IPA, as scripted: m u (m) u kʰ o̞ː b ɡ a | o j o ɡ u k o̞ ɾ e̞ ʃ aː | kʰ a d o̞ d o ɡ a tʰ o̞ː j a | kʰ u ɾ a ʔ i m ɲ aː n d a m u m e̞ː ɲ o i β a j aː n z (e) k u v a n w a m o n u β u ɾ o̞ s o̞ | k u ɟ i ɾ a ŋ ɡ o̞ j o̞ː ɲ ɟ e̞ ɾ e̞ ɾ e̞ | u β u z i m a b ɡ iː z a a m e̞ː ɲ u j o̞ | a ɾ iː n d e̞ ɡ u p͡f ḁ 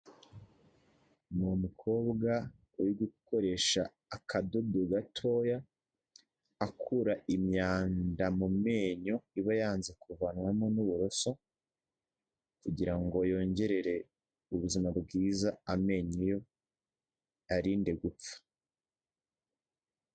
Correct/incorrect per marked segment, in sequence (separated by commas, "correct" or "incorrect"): correct, correct